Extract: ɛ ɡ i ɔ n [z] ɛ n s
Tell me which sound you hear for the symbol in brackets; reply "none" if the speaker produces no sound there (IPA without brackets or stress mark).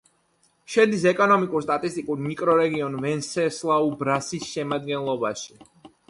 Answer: v